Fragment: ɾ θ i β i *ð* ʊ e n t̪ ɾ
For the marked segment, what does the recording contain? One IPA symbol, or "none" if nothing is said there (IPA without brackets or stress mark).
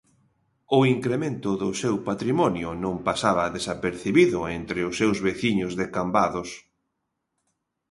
ð